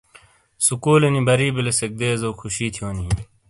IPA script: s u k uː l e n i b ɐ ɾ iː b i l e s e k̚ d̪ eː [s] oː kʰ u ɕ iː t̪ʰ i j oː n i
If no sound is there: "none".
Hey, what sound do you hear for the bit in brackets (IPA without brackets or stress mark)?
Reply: z